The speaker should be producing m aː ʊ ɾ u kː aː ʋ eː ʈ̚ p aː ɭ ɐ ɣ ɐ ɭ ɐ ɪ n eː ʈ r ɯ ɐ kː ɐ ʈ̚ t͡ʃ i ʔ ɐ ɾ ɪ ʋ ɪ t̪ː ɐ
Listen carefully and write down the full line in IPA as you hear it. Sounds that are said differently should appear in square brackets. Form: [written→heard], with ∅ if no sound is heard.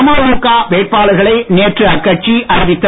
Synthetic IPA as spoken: m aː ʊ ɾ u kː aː ʋ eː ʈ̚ p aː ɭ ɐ ɣ ɐ ɭ ɐ ɪ n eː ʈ r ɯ ɐ kː ɐ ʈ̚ t͡ʃ i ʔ ɐ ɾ ɪ ʋ ɪ t̪ː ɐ